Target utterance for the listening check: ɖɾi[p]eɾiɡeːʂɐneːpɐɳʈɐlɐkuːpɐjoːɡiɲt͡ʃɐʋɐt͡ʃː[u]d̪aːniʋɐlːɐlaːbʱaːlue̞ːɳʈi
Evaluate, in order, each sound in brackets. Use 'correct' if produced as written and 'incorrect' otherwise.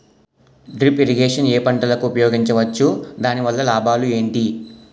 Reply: correct, correct

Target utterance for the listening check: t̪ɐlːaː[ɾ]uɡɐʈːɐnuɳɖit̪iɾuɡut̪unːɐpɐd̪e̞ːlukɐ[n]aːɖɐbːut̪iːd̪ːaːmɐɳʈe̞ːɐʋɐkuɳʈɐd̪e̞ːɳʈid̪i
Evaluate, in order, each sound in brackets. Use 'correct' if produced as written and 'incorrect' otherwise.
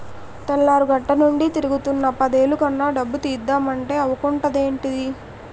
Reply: correct, incorrect: nː

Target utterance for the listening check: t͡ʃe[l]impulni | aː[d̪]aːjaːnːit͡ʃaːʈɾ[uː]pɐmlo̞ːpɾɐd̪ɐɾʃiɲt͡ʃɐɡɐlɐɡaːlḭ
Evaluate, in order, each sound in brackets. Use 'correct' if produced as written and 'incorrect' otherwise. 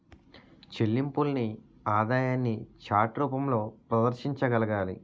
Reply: incorrect: lː, correct, correct

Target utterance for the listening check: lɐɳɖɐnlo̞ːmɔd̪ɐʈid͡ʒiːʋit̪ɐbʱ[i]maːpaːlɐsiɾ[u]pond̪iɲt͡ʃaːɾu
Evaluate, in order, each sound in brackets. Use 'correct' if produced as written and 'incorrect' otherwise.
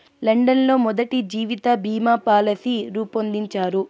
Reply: incorrect: iː, incorrect: uː

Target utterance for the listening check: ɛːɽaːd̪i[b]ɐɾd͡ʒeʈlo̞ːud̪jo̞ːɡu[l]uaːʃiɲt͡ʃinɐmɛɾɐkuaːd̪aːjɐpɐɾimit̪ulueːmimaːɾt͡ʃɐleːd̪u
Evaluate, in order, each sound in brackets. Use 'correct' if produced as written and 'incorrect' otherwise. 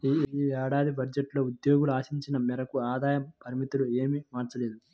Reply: correct, correct

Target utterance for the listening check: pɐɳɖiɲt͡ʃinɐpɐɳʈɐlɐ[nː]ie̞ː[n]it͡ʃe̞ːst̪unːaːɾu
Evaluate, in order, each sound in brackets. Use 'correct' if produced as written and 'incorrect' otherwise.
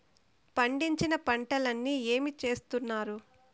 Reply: correct, incorrect: m

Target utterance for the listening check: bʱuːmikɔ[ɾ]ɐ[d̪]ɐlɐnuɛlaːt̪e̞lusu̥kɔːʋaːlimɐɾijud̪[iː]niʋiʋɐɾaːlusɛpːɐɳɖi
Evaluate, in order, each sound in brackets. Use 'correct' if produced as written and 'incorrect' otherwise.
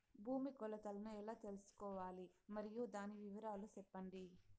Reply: incorrect: l, incorrect: t̪, incorrect: aː

